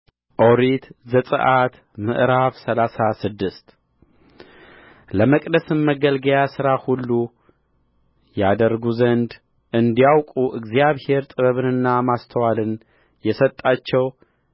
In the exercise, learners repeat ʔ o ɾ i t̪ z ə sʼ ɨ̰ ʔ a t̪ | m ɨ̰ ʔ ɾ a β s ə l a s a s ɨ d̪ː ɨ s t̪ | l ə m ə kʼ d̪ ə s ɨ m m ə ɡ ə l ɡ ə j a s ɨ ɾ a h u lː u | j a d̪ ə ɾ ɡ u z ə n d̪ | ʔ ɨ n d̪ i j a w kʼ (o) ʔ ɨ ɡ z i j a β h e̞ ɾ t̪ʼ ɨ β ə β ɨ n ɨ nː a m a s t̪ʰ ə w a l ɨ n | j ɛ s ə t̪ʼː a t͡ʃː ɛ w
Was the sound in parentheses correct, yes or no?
no